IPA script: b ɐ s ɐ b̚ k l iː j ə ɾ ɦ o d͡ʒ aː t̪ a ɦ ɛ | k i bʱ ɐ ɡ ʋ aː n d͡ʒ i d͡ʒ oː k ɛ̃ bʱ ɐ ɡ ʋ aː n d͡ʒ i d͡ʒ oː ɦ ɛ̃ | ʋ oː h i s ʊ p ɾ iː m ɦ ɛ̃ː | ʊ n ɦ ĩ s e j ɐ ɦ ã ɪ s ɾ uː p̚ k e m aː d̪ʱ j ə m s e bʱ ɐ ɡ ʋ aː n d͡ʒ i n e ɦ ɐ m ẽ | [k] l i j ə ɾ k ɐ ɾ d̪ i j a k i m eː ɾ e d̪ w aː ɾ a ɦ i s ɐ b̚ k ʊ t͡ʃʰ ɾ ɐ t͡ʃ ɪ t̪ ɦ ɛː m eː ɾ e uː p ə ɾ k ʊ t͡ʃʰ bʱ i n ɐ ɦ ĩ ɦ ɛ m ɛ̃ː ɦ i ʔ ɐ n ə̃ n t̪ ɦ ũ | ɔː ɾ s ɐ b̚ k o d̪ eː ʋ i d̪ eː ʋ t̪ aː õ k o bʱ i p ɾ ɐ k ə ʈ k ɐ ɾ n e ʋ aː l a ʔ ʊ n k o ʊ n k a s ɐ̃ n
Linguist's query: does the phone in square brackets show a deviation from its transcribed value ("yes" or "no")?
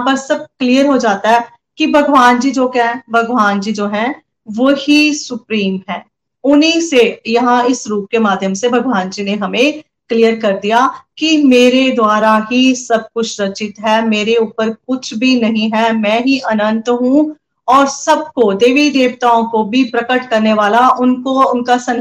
no